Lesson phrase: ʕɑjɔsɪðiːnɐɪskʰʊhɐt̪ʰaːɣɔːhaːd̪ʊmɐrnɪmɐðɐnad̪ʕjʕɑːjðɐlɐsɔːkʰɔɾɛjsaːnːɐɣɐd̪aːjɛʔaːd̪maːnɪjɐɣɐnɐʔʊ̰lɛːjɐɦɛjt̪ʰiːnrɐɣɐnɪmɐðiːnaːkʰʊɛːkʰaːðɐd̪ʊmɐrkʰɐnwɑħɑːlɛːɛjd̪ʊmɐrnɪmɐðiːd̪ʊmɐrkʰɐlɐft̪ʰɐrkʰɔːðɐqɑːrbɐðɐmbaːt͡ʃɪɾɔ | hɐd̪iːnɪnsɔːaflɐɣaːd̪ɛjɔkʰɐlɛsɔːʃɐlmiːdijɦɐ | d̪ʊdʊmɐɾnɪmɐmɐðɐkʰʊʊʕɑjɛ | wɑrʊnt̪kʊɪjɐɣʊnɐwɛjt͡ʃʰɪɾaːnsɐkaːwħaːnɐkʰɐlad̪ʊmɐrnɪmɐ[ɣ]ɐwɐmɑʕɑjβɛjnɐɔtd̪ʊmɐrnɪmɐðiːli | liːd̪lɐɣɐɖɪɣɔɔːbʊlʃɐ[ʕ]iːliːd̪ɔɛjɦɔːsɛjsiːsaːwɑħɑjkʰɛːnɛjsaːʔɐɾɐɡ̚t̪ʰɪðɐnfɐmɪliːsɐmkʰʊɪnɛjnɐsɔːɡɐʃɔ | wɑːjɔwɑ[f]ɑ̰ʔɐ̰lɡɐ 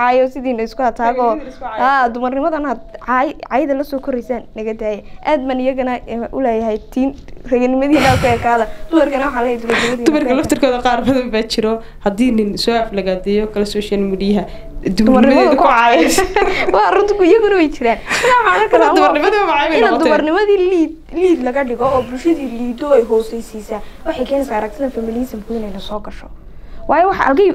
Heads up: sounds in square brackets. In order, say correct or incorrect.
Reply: incorrect, incorrect, incorrect

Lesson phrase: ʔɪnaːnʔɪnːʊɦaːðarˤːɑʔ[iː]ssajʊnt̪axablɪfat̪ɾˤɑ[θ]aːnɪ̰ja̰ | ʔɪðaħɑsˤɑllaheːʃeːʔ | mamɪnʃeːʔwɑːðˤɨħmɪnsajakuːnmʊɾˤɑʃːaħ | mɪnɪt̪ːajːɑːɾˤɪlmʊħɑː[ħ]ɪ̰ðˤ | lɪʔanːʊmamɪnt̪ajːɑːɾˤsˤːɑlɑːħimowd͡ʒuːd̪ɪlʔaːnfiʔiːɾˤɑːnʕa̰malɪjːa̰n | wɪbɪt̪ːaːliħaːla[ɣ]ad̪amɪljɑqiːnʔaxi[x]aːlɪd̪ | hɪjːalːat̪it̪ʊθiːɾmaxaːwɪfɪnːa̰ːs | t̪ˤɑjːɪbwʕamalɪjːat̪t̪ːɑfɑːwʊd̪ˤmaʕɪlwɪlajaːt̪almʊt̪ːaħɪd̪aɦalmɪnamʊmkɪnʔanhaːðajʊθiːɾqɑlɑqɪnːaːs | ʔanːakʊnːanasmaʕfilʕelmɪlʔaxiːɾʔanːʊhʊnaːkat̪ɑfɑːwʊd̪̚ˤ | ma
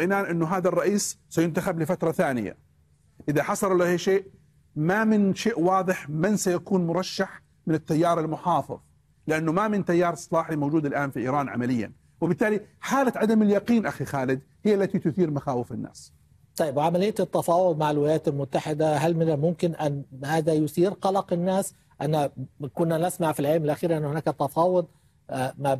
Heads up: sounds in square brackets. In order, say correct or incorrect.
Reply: correct, correct, incorrect, incorrect, correct

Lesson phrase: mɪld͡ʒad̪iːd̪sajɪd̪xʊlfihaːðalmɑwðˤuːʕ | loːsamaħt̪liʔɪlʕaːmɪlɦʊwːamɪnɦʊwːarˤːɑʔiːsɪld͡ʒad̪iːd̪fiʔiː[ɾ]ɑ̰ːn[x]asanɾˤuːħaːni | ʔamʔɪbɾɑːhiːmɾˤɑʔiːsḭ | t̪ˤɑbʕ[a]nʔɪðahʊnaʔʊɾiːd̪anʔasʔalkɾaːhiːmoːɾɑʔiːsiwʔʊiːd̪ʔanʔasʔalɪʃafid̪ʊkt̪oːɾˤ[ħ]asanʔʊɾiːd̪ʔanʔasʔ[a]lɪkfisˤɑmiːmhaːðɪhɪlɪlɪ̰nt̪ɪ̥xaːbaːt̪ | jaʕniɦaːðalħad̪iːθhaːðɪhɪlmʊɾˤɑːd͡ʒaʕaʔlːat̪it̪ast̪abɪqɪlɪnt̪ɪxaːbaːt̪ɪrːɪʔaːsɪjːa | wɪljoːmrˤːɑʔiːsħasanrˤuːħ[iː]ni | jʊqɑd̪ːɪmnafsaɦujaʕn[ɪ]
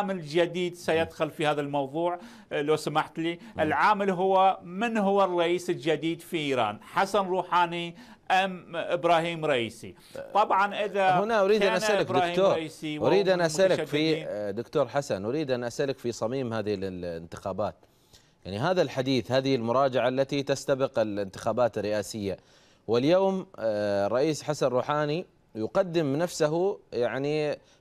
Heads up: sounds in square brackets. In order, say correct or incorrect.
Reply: correct, incorrect, incorrect, correct, correct, incorrect, incorrect

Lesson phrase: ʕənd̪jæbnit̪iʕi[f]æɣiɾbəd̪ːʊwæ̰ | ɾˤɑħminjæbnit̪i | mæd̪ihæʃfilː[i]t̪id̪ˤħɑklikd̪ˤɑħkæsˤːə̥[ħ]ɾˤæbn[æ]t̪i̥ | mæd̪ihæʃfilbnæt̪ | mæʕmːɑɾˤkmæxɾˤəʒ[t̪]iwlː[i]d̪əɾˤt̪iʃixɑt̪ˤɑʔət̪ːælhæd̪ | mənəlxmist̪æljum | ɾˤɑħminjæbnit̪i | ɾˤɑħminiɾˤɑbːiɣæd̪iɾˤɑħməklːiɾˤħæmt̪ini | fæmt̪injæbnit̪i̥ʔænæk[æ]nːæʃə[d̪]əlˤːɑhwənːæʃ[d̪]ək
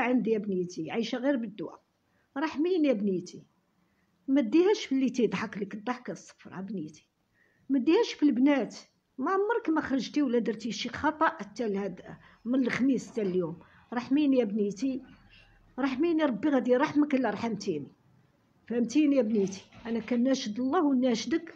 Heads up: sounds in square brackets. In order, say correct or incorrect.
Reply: incorrect, correct, incorrect, incorrect, correct, incorrect, correct, correct, correct

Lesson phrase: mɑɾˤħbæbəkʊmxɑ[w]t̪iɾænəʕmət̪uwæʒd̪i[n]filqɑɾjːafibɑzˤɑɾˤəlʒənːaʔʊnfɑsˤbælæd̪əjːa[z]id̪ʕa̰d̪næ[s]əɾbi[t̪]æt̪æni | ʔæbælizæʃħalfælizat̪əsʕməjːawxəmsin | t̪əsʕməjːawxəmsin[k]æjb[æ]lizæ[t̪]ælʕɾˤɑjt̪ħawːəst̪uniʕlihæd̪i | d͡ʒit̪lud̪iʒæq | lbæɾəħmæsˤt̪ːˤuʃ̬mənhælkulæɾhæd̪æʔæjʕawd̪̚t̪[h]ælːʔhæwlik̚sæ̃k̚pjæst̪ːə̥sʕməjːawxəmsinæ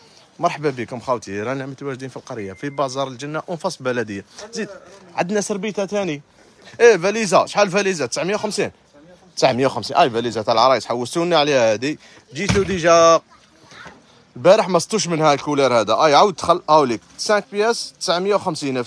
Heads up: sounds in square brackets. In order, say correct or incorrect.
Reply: correct, correct, correct, correct, correct, incorrect, correct, correct, incorrect

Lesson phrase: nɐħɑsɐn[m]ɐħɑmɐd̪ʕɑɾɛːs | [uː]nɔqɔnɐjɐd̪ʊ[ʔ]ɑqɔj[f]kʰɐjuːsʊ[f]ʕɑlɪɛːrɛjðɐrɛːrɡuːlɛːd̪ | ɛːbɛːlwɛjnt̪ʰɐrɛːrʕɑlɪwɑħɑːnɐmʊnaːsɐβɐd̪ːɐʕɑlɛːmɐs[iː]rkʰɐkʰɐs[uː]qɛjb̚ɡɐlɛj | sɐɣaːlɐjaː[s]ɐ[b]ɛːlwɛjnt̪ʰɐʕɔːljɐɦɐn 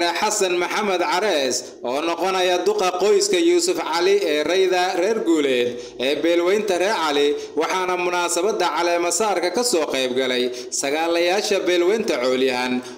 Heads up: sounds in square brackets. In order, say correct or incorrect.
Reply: correct, incorrect, incorrect, incorrect, correct, incorrect, incorrect, incorrect, correct

